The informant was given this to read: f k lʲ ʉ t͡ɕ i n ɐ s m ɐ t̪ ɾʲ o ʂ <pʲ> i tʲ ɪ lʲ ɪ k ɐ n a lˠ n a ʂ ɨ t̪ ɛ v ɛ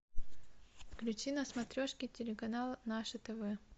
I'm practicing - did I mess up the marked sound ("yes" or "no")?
yes